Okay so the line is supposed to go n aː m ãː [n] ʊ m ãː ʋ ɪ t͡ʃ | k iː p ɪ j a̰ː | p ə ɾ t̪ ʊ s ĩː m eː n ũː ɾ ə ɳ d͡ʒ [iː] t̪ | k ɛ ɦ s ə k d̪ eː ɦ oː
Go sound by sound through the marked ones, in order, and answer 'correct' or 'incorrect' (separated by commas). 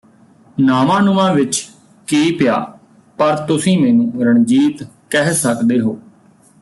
correct, correct